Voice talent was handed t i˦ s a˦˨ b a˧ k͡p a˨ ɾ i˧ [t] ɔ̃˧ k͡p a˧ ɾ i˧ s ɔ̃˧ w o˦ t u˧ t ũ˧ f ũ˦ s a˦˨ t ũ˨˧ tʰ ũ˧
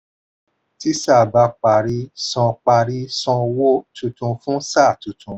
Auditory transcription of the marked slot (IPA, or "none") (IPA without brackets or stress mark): s